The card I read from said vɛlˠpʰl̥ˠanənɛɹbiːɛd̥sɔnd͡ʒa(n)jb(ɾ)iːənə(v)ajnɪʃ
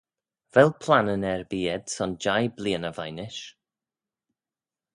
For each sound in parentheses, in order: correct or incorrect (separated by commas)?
incorrect, incorrect, correct